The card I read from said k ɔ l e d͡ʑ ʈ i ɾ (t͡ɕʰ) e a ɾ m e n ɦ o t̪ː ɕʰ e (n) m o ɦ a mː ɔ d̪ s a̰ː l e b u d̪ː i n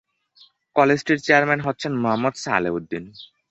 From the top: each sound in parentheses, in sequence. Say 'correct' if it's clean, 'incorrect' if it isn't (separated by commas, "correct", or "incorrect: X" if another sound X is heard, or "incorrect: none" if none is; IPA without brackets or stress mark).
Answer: incorrect: t͡ɕ, correct